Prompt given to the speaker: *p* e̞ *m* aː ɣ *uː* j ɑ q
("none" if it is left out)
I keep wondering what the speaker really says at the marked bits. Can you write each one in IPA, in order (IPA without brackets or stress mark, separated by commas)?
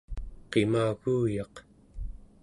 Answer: q, m, uː